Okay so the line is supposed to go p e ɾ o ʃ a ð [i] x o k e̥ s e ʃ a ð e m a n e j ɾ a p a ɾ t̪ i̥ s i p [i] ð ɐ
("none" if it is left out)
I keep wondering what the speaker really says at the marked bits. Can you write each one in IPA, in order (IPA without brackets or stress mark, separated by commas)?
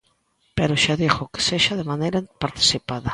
i, a